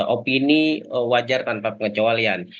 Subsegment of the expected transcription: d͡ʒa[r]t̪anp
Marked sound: correct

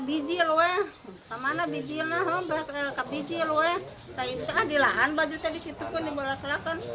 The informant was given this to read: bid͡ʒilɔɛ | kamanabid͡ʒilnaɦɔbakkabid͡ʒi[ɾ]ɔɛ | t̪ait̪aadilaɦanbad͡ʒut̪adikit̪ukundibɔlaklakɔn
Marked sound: incorrect: l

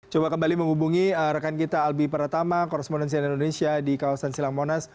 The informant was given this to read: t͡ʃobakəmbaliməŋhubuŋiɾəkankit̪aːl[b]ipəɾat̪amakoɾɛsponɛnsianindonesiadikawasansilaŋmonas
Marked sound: correct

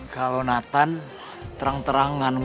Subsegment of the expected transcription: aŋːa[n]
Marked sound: correct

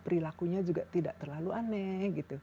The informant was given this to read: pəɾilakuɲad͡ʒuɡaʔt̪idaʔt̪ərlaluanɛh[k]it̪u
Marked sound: incorrect: ɡ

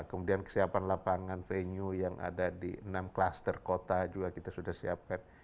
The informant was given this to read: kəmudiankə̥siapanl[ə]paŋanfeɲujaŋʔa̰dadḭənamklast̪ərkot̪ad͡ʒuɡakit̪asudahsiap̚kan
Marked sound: incorrect: a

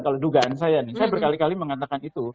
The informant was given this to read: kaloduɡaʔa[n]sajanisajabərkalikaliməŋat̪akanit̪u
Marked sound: correct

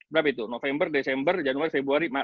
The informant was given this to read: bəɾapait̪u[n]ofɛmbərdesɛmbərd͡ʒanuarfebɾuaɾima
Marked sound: correct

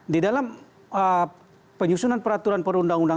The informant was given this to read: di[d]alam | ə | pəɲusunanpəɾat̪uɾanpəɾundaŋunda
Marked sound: correct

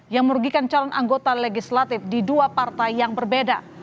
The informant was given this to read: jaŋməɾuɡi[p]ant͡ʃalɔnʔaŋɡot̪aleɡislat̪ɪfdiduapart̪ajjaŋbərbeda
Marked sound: incorrect: k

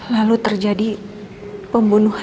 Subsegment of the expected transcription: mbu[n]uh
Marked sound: correct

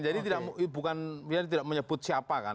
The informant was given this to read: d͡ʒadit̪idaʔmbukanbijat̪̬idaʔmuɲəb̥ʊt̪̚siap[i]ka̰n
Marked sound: incorrect: a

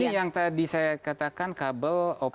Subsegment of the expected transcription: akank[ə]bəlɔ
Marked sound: incorrect: a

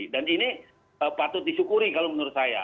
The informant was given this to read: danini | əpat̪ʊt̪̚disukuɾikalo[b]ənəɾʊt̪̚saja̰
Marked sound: incorrect: m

